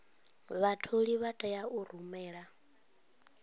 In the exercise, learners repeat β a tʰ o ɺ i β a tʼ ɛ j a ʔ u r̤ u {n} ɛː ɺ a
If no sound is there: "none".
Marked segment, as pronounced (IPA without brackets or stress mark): m